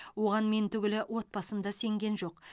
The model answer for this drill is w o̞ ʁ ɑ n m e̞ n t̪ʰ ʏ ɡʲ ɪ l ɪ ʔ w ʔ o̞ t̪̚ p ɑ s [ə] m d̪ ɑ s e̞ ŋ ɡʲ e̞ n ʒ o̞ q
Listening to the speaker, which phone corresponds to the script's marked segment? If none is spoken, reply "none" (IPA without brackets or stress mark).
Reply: ə